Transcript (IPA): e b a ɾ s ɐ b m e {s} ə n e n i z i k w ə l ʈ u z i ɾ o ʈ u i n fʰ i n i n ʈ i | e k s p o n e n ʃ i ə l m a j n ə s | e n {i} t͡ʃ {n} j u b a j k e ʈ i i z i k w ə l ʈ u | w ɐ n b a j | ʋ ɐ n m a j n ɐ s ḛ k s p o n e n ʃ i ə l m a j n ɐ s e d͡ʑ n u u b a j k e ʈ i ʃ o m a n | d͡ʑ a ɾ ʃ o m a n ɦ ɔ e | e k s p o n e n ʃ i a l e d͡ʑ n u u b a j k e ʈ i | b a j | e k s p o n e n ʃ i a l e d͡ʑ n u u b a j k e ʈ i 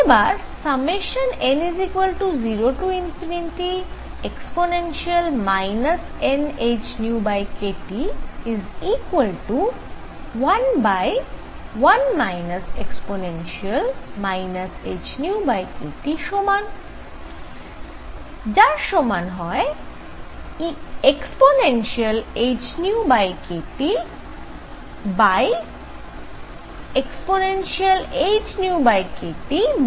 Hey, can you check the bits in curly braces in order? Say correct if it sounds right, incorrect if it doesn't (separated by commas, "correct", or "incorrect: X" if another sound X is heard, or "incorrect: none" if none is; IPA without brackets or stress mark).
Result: incorrect: ʃ, incorrect: e, correct